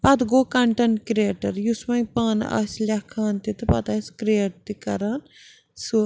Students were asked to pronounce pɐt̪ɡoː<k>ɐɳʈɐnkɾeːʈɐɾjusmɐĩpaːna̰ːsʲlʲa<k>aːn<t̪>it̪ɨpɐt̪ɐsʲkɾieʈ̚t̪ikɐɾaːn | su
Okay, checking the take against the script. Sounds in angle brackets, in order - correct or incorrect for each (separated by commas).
correct, incorrect, correct